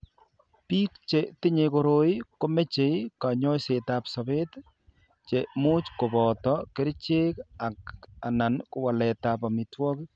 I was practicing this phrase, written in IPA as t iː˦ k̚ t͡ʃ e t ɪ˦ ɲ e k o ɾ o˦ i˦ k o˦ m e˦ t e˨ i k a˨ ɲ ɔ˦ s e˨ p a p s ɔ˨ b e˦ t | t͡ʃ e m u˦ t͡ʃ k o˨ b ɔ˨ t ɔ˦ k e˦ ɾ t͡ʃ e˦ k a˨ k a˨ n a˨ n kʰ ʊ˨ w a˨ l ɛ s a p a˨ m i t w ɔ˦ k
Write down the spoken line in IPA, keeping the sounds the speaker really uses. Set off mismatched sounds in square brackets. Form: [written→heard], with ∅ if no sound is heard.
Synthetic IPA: [t→p] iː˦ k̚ t͡ʃ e t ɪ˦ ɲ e k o ɾ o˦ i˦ k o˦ m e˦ [t→t͡ʃ] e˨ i k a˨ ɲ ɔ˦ s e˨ [p→t] a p s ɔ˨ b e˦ t | t͡ʃ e m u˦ t͡ʃ k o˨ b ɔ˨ t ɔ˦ k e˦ ɾ t͡ʃ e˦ k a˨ k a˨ n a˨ n [kʰ→k] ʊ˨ w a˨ l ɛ [s→t] a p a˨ m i t w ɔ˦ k